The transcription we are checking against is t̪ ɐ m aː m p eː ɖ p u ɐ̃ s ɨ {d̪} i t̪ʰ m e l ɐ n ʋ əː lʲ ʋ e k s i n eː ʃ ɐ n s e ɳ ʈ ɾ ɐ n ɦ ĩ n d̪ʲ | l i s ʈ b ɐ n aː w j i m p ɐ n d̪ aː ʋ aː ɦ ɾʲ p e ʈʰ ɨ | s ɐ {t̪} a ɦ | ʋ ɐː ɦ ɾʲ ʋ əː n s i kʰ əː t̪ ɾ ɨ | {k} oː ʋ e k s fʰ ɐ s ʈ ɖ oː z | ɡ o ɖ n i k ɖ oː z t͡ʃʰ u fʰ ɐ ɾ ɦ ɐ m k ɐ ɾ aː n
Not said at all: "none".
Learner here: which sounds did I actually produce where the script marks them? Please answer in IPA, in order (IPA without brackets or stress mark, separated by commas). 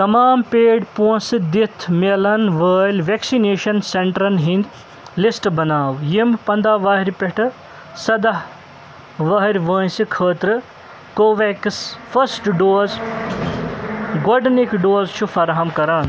d̪, d̪, k